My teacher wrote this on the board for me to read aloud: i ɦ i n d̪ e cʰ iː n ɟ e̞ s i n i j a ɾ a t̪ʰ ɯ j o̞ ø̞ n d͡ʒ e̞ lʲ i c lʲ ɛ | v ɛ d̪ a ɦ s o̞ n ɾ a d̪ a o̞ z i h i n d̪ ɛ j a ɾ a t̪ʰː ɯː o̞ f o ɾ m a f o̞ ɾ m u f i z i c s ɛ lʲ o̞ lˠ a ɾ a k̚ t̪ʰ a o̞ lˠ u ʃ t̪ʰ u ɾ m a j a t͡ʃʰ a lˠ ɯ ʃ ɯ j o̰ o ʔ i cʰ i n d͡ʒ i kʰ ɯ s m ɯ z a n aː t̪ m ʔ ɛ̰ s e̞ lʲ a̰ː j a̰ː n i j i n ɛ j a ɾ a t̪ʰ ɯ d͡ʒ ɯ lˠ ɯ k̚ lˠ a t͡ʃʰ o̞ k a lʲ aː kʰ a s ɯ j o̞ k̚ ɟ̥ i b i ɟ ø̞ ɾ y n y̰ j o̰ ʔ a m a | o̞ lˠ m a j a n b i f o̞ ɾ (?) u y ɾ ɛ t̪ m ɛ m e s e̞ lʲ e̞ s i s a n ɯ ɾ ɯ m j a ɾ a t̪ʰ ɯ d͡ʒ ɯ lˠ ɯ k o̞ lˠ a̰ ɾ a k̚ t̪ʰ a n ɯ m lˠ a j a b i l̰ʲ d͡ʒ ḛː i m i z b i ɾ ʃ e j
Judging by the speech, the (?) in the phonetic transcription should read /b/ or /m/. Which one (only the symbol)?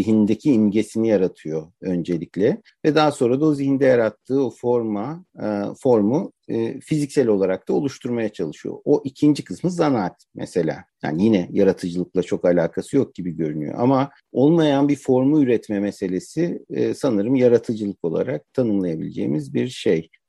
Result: m